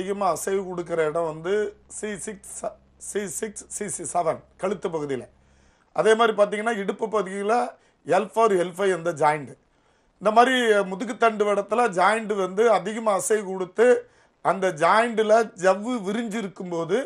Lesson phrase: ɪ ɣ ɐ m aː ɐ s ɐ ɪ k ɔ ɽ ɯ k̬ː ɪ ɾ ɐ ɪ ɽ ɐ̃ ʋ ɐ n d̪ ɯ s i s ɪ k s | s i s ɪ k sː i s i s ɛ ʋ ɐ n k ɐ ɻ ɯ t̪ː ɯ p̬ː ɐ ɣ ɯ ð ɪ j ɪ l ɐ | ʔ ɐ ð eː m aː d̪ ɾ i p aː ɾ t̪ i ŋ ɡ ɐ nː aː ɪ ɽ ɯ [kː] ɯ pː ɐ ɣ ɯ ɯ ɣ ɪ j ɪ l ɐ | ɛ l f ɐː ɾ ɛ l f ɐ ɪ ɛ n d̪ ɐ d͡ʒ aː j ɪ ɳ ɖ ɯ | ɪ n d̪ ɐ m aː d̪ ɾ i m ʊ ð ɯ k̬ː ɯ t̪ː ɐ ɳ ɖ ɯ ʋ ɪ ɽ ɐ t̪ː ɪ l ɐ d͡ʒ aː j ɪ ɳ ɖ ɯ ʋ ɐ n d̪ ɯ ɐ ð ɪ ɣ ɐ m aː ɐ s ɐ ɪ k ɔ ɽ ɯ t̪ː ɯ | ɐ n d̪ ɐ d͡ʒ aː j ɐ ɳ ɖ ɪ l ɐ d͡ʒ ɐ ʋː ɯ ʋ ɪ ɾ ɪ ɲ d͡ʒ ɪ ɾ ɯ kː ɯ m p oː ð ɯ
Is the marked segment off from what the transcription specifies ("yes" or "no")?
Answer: yes